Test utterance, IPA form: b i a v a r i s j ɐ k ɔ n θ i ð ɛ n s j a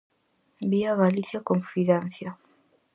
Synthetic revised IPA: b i a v a l i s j a k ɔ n f i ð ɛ n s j a

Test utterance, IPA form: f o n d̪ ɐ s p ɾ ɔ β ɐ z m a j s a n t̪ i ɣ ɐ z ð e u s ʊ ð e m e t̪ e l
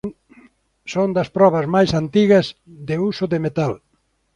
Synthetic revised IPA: s o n d̪ ɐ s p ɾ ɔ β ɐ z m a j s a n t̪ i ɣ ɐ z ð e u s ʊ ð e m e t̪ a l

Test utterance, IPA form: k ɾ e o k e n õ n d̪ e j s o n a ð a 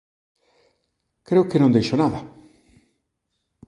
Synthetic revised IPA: k ɾ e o k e n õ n d̪ e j ʃ o n a ð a

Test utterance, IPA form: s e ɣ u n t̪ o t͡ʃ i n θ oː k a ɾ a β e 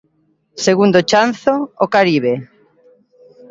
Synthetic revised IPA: s e ɣ u n d̪ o t͡ʃ a n θ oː k a ɾ i β e

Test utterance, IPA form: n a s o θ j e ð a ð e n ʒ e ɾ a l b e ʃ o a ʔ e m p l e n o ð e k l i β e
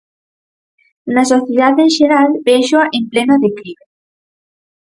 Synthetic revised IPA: n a s o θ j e ð a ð e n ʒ e ɾ a l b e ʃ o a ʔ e m p l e n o ð e k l i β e

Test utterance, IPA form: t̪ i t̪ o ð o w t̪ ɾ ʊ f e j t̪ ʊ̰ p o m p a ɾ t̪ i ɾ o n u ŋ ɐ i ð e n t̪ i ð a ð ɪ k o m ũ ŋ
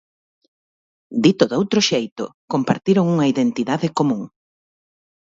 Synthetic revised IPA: d̪ i t̪ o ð o w t̪ ɾ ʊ ʃ e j t̪ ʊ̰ k o m p a ɾ t̪ i ɾ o ŋ u ŋ ɐ i ð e n t̪ i ð a ð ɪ k o m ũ ŋ

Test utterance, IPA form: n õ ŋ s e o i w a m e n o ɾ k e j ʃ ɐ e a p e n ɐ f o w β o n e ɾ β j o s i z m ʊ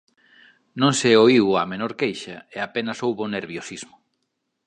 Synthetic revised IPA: n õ ŋ s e o i w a m e n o ɾ k e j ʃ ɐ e a p e n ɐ s o w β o n e ɾ β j o s i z m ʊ

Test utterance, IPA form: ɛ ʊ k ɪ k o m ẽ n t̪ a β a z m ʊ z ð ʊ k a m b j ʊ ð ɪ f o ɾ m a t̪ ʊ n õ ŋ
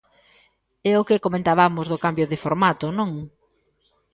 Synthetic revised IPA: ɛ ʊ k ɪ k o m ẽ n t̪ a β a m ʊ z ð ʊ k a m b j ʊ ð ɪ f o ɾ m a t̪ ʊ n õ ŋ

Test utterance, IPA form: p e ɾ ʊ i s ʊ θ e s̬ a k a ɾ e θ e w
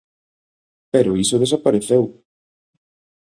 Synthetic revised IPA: p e ɾ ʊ i s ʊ ð e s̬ a p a ɾ e θ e w

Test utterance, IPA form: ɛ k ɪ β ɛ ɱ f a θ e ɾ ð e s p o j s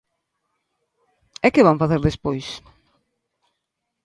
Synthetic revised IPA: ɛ k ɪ β a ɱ f a θ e ɾ ð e s p o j s

